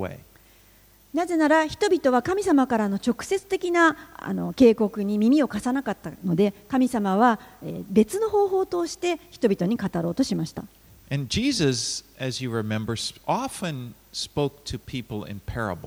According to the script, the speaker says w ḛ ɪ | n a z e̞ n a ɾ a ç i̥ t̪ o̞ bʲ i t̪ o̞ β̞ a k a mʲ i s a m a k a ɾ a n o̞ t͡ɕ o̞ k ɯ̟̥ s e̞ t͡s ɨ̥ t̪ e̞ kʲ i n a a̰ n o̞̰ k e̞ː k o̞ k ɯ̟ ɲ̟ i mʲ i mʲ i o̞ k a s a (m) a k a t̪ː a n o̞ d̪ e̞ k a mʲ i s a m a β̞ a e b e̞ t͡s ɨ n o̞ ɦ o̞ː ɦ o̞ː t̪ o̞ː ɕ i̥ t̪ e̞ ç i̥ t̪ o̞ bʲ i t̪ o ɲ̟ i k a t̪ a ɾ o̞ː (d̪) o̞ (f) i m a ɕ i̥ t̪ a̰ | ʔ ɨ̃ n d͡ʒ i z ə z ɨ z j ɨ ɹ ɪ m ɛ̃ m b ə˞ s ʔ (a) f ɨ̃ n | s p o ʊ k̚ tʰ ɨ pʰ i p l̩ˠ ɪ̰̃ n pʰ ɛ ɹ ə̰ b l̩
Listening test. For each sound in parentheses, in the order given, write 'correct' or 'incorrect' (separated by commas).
incorrect, incorrect, incorrect, incorrect